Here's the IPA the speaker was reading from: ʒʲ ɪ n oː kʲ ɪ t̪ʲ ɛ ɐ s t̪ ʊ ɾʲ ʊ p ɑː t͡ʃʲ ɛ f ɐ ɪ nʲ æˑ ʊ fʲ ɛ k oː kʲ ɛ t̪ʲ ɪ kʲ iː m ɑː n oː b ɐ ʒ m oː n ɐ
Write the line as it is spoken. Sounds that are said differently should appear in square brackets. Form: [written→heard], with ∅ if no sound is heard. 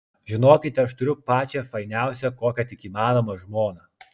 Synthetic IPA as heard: ʒʲ ɪ n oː kʲ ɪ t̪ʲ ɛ ɐ [s→ʃ] t̪ ʊ ɾʲ ʊ p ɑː t͡ʃʲ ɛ f ɐ ɪ nʲ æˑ ʊ [fʲ→sʲ] ɛ k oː kʲ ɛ t̪ʲ ɪ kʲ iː m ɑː n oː [b→m] ɐ ʒ m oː n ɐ